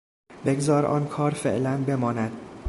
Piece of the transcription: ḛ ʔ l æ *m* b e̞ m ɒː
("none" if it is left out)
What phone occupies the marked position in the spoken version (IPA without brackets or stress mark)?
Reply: n